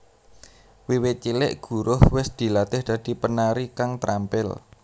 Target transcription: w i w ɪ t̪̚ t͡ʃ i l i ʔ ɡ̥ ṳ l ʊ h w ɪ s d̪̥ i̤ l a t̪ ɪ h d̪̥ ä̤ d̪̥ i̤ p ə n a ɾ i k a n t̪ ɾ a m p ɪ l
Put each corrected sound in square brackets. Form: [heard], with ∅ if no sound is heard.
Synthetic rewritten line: w i w ɪ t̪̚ t͡ʃ i l [ɪ] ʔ ɡ̥ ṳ [ɾ] ʊ h w ɪ s d̪̥ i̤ l a t̪ ɪ h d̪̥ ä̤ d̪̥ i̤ p ə n a ɾ i k a [ŋ] t̪ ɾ a m p ɪ l